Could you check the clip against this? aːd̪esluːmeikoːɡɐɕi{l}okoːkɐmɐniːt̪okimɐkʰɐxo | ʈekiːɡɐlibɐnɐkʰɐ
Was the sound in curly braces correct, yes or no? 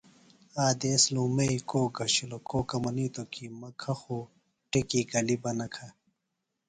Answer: yes